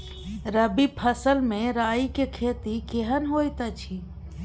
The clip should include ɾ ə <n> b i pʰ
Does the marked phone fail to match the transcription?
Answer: yes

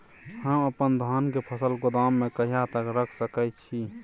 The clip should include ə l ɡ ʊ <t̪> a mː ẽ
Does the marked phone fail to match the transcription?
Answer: yes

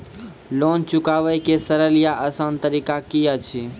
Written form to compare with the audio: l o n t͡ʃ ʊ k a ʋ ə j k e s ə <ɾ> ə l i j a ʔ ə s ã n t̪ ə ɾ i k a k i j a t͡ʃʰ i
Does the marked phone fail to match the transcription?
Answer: no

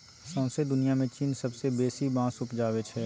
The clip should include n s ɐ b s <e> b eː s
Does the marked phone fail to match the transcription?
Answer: no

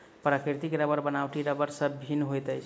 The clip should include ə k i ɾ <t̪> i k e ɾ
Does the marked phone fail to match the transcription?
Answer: no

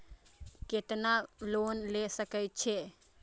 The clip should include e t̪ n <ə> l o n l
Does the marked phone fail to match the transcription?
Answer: yes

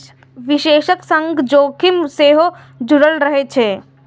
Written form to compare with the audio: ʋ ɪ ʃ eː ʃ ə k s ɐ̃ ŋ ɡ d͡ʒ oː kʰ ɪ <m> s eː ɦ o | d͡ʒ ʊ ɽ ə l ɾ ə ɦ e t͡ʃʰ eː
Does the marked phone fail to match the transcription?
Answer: no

